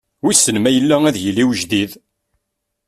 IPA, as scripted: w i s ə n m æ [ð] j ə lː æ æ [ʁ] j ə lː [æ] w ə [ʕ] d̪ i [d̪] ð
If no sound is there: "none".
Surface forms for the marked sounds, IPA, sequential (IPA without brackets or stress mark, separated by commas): none, ð, i, ʒ, none